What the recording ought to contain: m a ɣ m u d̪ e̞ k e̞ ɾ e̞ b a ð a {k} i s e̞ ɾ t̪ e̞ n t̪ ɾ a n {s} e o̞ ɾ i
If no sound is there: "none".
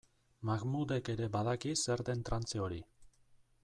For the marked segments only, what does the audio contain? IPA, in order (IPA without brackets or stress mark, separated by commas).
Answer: k, t͡s